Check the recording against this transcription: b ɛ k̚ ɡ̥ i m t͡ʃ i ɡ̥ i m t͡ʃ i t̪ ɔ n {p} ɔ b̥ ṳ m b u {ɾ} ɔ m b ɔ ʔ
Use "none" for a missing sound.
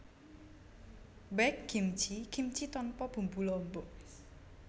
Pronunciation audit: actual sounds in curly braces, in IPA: p, l

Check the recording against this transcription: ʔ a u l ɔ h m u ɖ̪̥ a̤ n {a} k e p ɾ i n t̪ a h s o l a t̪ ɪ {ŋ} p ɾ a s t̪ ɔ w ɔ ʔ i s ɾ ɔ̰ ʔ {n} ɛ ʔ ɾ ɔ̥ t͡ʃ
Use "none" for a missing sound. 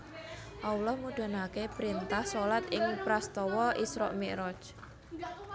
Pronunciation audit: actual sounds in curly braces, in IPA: a, ŋ, m

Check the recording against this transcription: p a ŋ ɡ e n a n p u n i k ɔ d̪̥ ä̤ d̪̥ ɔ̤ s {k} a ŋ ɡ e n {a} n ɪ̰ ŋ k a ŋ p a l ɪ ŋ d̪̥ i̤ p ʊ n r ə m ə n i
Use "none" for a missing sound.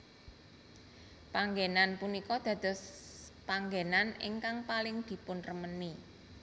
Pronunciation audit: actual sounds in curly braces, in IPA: p, a

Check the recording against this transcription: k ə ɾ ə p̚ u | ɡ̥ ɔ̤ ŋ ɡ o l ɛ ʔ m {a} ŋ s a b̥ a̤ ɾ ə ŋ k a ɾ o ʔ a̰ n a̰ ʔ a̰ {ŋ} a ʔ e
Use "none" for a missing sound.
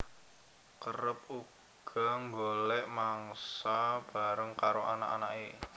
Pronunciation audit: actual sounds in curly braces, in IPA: a, n

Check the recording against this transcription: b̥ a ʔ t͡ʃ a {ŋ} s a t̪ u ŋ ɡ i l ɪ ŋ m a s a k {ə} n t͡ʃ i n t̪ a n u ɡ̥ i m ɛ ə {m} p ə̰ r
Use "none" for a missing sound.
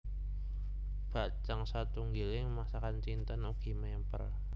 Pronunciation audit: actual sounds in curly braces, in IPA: ŋ, a, m

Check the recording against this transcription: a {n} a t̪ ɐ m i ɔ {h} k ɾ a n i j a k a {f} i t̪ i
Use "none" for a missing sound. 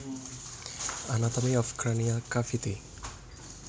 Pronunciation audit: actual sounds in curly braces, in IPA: n, f, f

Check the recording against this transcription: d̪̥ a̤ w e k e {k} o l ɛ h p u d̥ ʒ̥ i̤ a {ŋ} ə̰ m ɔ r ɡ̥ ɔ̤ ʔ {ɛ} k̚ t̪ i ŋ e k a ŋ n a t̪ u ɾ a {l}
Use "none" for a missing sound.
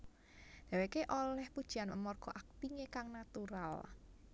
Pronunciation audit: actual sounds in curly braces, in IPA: ʔ, n, a, l

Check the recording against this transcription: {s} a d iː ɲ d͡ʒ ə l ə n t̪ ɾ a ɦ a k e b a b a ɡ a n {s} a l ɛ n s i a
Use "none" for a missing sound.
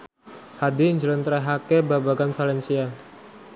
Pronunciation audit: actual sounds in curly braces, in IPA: h, f

